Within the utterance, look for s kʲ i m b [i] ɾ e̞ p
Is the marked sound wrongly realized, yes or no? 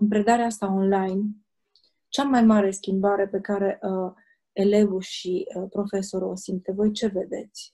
yes